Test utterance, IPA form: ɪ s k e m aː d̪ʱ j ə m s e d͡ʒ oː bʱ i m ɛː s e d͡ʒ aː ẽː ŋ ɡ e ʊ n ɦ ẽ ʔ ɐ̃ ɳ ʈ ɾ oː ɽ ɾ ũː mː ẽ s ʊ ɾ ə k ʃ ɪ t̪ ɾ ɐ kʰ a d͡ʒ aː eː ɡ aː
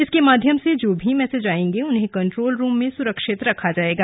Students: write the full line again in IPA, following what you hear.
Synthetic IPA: ɪ s k e m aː d̪ʱ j ə m s e d͡ʒ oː bʱ i m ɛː s e d͡ʒ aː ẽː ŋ ɡ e ʊ n ɦ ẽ k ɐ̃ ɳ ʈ ɾ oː l ɾ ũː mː ẽ s ʊ ɾ ə k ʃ ɪ t̪ ɾ ɐ kʰ a d͡ʒ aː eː ɡ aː

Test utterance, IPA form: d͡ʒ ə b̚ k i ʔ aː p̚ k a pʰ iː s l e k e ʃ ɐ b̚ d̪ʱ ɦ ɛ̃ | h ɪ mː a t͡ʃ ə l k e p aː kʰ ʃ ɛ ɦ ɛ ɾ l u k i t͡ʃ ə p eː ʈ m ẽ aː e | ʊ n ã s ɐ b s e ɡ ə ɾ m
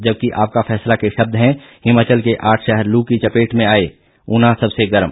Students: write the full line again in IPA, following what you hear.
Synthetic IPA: d͡ʒ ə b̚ k i ʔ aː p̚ k a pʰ ɛː s l a k e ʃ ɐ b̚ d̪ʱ ɦ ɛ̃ | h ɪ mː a t͡ʃ ə l k e ʔ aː ʈʰ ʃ ɛ ɦ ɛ ɾ l u k i t͡ʃ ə p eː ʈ m ẽ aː e | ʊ n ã s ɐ b s e ɡ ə ɾ m

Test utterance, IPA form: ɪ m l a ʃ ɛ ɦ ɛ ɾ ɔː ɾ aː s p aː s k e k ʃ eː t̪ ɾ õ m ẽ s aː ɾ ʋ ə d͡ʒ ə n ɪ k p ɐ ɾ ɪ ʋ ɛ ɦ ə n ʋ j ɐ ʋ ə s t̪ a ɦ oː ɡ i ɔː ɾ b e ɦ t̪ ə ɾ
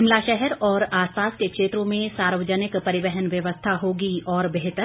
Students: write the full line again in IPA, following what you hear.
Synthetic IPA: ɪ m l a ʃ ɛ ɦ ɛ ɾ ɔː ɾ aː s p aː s k e k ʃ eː t̪ ɾ õ m ẽ s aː ɾ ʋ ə d͡ʒ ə n ɪ k p ɐ ɾ ɪ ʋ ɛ ɦ ə n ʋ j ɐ ʋ ə s t̪ʰ a ɦ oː ɡ i ɔː ɾ b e ɦ t̪ ə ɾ

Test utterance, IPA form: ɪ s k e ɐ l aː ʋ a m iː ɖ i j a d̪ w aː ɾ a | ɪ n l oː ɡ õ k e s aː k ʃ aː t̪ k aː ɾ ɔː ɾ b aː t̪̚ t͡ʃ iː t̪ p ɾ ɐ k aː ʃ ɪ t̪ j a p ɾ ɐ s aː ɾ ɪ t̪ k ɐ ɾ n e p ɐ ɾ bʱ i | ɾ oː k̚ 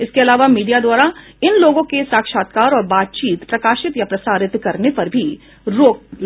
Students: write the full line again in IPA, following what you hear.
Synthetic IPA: ɪ s k e ɐ l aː ʋ a m iː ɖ i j a d̪ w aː ɾ a | ɪ n l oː ɡ õ k e s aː k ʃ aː t̪ k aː ɾ ɔː ɾ b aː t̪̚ t͡ʃ iː t̪ p ɾ ɐ k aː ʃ ɪ t̪ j a p ɾ ɐ s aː ɾ ɪ t̪ k ɐ ɾ n e p ɐ ɾ bʱ i | ɾ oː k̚

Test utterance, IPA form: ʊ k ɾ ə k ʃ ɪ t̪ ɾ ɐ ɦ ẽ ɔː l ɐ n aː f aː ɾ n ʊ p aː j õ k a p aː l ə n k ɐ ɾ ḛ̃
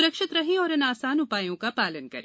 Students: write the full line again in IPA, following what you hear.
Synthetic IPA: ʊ ɾ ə k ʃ ɪ t̪ ɾ ɐ ɦ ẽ ɔː ɾ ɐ n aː s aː n ʊ p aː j õ k a p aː l ə n k ɐ ɾ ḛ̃

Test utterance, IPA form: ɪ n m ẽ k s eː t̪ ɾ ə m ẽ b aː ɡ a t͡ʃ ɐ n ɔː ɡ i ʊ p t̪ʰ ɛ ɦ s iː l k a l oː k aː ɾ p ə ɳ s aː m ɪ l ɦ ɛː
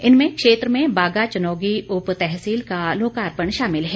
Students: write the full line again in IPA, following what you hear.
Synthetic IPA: ɪ n m ẽ k ʃ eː t̪ ɾ ə m ẽ b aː ɡ a t͡ʃ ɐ n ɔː ɡ i ʊ p t̪ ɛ ɦ s iː l k a l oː k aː ɾ p ə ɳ ʃ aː m ɪ l ɦ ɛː

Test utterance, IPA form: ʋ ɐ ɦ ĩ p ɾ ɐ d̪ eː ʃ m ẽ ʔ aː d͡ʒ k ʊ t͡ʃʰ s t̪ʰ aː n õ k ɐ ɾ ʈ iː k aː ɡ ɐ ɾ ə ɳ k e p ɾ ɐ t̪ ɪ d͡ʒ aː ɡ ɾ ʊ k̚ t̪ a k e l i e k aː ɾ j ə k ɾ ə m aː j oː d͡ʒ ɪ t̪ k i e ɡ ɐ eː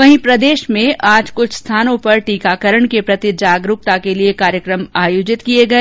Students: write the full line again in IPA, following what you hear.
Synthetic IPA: ʋ ɐ ɦ ĩ p ɾ ɐ d̪ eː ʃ m ẽ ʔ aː d͡ʒ k ʊ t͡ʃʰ s t̪ʰ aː n õ p ɐ ɾ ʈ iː k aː k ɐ ɾ ə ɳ k e p ɾ ɐ t̪ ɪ d͡ʒ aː ɡ ɾ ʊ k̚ t̪ a k e l i e k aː ɾ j ə k ɾ ə m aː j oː d͡ʒ ɪ t̪ k i e ɡ ɐ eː

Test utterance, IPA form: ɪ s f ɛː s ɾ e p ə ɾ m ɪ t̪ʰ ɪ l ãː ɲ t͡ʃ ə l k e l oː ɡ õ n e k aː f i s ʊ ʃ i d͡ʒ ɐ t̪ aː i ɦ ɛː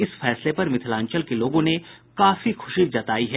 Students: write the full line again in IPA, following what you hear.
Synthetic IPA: ɪ s f ɛː s l e p ɐ ɾ m ɪ t̪ʰ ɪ l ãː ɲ t͡ʃ ə l k e l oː ɡ õ n e k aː f i x ʊ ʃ i d͡ʒ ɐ t̪ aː i ɦ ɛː

